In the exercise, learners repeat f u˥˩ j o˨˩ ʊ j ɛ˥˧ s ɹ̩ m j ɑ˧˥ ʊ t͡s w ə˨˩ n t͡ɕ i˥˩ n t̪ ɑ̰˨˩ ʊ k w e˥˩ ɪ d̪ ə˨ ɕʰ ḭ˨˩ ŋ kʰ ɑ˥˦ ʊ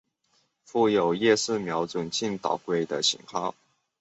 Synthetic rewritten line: f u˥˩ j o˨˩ ʊ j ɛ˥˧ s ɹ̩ m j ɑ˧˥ ʊ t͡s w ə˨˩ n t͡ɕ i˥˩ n t̪ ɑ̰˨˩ ʊ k w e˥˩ ɪ d̪ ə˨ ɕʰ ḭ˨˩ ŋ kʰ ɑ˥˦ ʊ